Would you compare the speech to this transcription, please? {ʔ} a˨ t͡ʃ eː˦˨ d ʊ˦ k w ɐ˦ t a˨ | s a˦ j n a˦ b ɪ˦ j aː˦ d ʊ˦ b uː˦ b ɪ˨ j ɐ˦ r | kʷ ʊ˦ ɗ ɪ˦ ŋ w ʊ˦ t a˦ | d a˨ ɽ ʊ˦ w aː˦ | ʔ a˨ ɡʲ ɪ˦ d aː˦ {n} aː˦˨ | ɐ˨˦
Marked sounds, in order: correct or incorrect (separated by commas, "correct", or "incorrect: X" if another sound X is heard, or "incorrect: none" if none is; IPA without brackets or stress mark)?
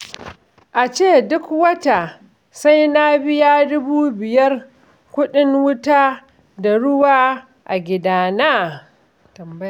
correct, correct